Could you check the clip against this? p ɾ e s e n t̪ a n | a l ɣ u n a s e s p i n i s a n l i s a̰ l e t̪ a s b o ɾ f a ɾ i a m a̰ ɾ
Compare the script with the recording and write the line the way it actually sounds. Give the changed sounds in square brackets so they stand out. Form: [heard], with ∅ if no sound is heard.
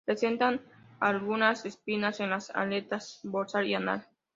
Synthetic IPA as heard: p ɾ e s e n t̪ a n | a l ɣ u n a s e s p i n [a] s [e] n l [a] s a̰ l e t̪ a s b o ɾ [s] a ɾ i a [n] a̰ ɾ

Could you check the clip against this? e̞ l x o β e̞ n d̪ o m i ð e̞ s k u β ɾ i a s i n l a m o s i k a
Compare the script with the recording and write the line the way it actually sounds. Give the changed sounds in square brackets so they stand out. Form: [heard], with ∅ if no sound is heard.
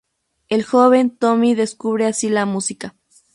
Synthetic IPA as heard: e̞ l x o β e̞ n [t̪] o m i ð e̞ s k u β ɾ [e] a s i [∅] l a m [u] s i k a

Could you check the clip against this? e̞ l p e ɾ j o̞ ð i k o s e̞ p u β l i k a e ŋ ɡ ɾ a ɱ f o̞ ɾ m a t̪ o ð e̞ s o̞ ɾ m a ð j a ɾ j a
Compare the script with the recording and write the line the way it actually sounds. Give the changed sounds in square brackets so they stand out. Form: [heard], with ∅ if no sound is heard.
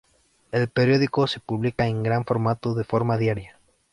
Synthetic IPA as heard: e̞ l p e ɾ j o̞ ð i k o s e̞ p u β l i k a e ŋ ɡ ɾ a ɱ f o̞ ɾ m a t̪ o ð e̞ [f] o̞ ɾ m a ð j a ɾ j a

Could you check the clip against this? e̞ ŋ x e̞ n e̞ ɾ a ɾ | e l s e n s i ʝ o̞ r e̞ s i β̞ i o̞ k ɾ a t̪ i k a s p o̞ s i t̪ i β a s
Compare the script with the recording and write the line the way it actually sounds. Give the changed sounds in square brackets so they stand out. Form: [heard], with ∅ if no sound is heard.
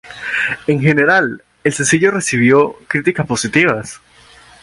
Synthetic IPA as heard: e̞ ŋ x e̞ n e̞ ɾ a [l] | e l s e n s i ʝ o̞ r e̞ s i β̞ [j] o̞ k ɾ [i] t̪ i k a s p o̞ s i t̪ i β a s

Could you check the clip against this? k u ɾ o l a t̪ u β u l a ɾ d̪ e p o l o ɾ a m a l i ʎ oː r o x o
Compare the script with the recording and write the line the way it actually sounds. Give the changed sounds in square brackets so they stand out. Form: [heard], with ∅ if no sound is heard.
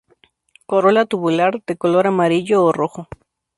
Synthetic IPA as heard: k [o] ɾ o l a t̪ u β u l a ɾ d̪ e [k] o l o ɾ a m a [ɾ] i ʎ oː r o x o

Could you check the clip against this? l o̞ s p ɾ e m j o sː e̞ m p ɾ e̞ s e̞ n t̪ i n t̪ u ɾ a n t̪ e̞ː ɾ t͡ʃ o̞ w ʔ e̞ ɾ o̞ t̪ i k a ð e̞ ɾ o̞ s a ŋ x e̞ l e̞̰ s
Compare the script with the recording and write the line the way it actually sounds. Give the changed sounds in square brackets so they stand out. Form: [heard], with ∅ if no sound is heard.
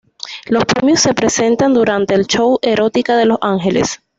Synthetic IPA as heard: l o̞ s p ɾ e m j o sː e̞ [∅] p ɾ e̞ s e̞ n t̪ [a] n [d̪] u ɾ a n t̪ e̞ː [l] t͡ʃ o̞ w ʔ e̞ ɾ o̞ t̪ i k a ð e̞ [l] o̞ s a ŋ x e̞ l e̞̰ s

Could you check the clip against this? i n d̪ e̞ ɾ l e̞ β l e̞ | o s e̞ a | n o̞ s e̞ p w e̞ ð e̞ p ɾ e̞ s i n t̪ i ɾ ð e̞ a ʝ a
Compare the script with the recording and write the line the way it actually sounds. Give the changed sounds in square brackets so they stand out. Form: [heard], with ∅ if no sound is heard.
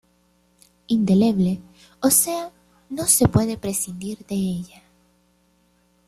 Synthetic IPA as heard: i n d̪ e̞ [∅] l e̞ β l e̞ | o s e̞ a | n o̞ s e̞ p w e̞ ð e̞ p ɾ e̞ s i n [d̪] i ɾ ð e̞ [e] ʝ a

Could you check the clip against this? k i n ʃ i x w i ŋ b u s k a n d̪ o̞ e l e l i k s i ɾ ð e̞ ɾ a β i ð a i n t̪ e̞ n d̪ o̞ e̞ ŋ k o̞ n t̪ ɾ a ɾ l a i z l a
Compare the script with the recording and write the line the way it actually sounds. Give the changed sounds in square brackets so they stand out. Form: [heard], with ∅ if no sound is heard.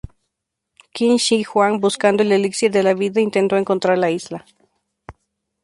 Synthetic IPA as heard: k i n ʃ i x w [a] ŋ b u s k a n d̪ o̞ e l e l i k s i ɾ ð e̞ [l] a β i ð a i n t̪ e̞ n [t̪] o̞ e̞ ŋ k o̞ n t̪ ɾ a ɾ l a i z l a

